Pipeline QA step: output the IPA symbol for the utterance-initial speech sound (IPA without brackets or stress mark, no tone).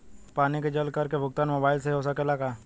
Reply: p